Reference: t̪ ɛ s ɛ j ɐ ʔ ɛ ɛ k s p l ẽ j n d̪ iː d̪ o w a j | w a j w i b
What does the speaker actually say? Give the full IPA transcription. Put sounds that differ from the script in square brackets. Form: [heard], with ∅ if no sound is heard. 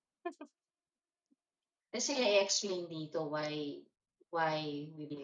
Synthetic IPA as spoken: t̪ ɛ s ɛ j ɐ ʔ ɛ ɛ k s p l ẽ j n d̪ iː [t̪] o w a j | w a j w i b